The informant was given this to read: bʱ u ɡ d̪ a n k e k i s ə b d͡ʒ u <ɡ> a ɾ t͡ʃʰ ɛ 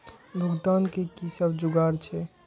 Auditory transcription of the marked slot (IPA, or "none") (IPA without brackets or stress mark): ɡ